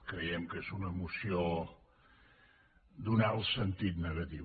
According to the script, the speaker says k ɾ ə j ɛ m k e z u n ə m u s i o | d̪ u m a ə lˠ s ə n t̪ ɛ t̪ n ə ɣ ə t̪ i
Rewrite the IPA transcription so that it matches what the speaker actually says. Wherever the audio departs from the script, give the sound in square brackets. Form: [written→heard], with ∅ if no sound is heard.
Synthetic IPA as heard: k ɾ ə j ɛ m k e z u n ə m u s i o | d̪ u [m→n] a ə lˠ s ə n t̪ [ɛ→i] t̪ n ə ɣ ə t̪ i